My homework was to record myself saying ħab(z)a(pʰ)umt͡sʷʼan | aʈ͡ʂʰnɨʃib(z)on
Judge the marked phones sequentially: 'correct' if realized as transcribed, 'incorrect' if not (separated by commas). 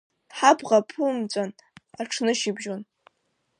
incorrect, correct, incorrect